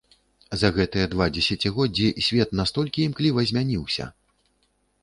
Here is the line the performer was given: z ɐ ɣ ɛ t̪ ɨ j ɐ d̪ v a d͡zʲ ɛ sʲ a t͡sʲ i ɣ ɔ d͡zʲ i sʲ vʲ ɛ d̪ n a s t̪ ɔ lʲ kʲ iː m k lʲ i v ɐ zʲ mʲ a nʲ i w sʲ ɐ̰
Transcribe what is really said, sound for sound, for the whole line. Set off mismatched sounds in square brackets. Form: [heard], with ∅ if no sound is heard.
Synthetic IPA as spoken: z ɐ ɣ ɛ t̪ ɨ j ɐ d̪ v a d͡zʲ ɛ sʲ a t͡sʲ i ɣ ɔ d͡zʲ i sʲ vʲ ɛ [t̪] n a s t̪ ɔ lʲ kʲ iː m k lʲ i v ɐ zʲ mʲ a nʲ i w sʲ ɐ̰